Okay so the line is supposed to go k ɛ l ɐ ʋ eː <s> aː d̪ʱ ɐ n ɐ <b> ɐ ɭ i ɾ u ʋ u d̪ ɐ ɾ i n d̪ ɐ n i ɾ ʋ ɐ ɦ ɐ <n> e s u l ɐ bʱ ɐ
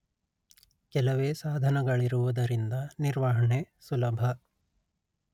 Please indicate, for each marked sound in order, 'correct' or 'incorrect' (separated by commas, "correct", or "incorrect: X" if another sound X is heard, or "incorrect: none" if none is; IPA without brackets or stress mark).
correct, incorrect: ɡ, incorrect: ɳ